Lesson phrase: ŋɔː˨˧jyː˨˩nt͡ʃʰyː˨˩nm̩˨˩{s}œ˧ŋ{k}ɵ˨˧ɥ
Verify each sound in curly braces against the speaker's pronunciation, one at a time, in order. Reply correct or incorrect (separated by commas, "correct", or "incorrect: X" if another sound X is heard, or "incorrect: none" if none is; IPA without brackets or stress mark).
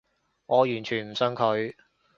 correct, incorrect: kʰ